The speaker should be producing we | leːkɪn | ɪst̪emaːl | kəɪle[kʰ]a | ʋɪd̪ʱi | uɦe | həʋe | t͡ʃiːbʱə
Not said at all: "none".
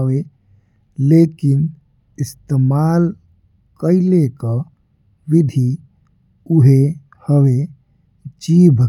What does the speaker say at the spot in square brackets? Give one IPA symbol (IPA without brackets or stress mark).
k